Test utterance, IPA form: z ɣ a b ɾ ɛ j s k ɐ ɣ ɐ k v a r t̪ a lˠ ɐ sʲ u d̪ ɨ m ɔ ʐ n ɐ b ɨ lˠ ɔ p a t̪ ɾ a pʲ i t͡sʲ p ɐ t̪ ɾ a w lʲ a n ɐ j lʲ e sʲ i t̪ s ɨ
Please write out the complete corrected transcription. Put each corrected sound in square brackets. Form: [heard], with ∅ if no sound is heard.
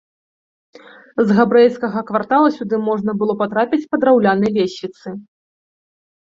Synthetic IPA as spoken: z ɣ a b ɾ ɛ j s k ɐ ɣ ɐ k v a r t̪ a lˠ ɐ sʲ u d̪ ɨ m ɔ ʐ n ɐ b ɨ lˠ ɔ p a t̪ ɾ a pʲ i t͡sʲ p ɐ [d̪] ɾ a w lʲ a n ɐ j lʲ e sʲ i t̪ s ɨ